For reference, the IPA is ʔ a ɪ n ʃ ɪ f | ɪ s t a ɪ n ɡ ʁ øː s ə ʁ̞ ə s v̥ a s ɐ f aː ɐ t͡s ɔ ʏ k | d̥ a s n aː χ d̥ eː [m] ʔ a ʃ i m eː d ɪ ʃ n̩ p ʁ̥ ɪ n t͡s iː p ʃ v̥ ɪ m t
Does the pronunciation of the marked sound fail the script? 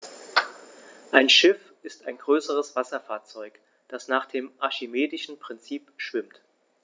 no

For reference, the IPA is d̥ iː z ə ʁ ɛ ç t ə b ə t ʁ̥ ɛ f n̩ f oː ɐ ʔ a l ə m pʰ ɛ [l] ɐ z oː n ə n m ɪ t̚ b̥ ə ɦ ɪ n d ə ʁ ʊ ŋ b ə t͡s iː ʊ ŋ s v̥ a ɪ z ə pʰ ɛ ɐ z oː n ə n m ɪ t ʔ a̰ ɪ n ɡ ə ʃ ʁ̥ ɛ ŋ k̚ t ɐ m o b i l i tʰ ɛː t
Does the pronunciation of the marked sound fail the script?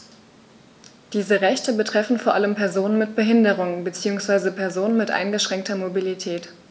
yes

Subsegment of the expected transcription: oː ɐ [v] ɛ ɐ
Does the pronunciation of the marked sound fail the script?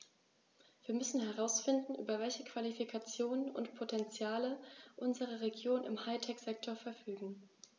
yes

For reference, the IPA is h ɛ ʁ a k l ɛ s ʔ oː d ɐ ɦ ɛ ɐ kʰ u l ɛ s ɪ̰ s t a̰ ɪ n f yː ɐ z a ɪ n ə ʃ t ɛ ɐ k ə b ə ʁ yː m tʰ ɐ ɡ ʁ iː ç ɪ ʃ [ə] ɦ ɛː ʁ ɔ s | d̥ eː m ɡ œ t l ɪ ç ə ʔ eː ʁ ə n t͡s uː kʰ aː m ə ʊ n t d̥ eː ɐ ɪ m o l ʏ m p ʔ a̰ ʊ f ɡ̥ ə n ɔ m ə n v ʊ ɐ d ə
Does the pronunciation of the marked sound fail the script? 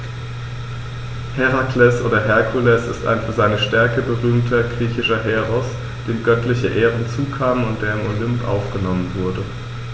yes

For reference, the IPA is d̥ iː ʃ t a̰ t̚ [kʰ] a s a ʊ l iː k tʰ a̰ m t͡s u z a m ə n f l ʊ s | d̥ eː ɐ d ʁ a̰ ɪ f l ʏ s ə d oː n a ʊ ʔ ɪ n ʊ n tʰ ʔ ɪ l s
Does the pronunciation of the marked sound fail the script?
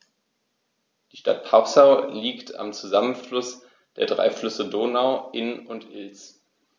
yes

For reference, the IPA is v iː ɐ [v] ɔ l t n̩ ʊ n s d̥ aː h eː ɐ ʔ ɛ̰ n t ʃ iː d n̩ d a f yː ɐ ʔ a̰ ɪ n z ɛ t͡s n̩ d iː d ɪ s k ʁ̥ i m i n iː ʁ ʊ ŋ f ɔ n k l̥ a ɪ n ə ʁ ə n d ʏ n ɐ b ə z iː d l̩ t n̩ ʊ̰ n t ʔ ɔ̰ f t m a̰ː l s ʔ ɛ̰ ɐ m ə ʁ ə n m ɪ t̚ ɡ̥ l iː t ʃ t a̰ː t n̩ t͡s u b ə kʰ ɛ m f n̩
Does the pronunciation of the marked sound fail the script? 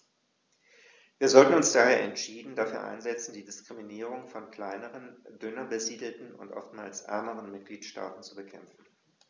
yes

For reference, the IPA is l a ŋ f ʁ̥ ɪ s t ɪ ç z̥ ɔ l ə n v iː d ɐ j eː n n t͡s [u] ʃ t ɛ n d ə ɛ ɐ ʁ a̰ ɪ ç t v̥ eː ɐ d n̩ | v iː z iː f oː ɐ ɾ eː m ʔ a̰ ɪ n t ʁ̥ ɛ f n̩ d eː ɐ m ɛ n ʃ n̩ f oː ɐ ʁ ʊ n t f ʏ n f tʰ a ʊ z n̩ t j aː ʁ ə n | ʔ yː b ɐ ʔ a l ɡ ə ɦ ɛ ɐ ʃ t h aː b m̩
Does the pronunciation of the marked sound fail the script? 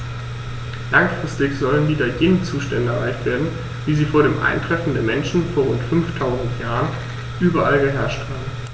yes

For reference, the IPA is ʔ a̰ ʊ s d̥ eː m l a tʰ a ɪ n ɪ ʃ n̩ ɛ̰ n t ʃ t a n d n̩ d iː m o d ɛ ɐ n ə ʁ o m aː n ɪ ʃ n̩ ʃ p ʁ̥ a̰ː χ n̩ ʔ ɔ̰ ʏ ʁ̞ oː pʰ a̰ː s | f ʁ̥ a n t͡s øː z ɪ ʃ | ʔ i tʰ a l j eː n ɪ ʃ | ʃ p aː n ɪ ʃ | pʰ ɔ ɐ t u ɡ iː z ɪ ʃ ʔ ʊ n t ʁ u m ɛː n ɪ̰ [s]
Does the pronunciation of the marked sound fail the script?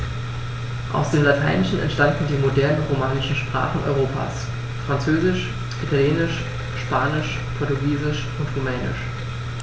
yes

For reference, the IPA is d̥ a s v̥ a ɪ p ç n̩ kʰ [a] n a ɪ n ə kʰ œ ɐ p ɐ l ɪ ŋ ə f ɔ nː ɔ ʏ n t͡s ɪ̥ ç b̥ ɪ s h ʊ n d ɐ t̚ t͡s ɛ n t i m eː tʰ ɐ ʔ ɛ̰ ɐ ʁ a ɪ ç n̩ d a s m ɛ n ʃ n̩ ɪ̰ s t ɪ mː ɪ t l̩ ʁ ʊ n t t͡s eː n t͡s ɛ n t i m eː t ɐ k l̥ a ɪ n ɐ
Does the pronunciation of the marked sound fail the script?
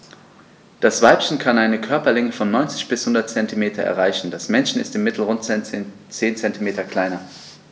no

